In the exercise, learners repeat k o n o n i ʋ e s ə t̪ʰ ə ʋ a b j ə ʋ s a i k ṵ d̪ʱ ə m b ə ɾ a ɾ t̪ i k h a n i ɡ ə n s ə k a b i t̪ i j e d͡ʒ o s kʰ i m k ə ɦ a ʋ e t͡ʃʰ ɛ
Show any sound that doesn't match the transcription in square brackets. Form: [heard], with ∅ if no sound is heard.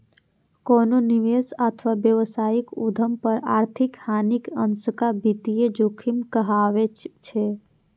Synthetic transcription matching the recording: k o n o n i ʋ e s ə t̪ʰ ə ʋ a b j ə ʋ s a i k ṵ d̪ʱ ə m [p] ə ɾ a ɾ [t̪ʰ] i k h a n i [k] ə n s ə k a b i t̪ i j e d͡ʒ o [∅] kʰ i m k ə ɦ a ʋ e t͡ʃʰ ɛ